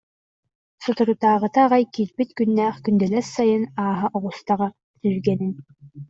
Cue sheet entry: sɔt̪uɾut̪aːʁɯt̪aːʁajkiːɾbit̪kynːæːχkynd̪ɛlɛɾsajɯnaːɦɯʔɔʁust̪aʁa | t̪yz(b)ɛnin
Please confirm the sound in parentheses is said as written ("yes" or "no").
no